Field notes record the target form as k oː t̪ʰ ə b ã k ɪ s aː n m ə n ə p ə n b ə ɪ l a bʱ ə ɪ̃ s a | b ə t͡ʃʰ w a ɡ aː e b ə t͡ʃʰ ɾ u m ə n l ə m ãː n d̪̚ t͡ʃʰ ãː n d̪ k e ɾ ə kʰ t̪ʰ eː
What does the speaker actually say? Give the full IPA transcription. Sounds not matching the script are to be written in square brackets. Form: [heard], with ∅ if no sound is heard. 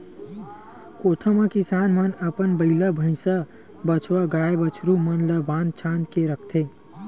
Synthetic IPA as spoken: k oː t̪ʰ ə [m] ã k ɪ s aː n m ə n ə p ə n b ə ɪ l a bʱ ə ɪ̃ s a | b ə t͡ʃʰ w a ɡ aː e b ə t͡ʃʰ ɾ u m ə n l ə [b] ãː n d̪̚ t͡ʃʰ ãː n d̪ k e ɾ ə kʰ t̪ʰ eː